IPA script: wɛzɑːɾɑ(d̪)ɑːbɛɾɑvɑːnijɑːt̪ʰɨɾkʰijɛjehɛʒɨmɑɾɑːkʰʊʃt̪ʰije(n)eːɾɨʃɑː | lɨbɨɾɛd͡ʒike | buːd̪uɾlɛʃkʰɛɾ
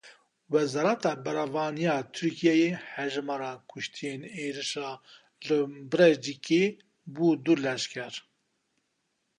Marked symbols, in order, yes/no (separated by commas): no, yes